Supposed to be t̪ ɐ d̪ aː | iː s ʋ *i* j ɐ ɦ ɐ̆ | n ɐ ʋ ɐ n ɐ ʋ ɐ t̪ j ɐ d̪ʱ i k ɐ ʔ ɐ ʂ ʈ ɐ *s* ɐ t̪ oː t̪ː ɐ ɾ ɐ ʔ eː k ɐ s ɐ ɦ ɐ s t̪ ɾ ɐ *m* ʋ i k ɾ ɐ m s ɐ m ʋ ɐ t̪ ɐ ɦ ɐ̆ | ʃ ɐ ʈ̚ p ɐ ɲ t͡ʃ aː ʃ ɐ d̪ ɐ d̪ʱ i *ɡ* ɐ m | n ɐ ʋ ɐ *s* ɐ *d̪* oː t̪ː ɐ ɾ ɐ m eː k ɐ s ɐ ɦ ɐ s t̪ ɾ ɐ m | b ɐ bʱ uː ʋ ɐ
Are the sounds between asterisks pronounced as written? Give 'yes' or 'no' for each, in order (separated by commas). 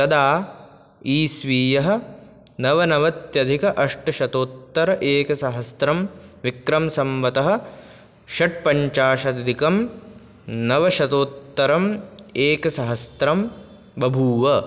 no, no, yes, no, no, no